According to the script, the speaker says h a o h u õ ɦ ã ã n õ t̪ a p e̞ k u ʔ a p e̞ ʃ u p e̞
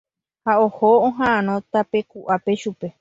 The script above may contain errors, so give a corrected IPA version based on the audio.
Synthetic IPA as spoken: h a o h o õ ɦ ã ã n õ t̪ a p e̞ k u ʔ a p e̞ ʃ u p e̞